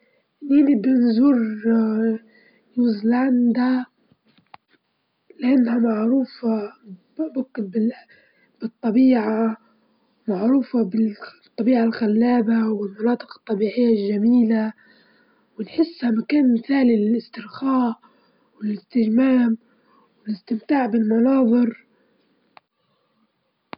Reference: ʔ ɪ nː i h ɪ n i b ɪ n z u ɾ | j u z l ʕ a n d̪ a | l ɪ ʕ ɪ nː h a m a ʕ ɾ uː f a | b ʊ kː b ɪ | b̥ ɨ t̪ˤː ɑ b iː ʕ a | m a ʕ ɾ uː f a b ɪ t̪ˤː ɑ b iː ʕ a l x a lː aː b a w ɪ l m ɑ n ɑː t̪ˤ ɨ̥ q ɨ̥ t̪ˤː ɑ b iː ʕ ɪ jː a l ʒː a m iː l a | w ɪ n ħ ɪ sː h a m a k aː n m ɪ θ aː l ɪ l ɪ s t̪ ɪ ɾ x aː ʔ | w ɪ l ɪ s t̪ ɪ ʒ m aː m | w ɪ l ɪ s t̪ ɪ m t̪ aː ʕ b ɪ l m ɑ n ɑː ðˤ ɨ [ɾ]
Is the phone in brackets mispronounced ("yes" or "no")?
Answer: no